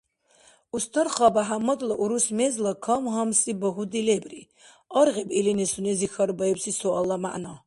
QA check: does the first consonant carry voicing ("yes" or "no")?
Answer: no